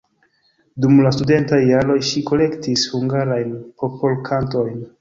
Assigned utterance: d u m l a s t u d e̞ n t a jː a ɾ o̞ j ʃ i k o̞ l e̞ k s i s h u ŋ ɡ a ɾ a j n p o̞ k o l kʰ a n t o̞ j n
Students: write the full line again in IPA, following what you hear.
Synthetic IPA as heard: d u m l a s t u d e̞ n t a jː a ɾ o̞ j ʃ i k o̞ l e̞ k t i s h u ŋ ɡ a ɾ a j n p o̞ p o l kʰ a n t o̞ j n